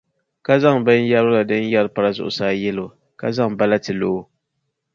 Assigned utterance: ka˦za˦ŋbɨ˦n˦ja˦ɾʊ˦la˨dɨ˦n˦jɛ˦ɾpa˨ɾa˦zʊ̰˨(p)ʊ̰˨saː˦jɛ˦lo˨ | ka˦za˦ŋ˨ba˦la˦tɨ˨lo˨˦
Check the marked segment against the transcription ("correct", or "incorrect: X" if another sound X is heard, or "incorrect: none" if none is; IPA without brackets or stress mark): incorrect: ʔ